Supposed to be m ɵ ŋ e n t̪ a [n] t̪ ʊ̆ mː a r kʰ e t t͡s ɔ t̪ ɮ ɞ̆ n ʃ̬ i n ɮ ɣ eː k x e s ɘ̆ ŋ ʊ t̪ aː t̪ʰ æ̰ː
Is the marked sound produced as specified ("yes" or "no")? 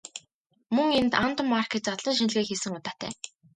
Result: yes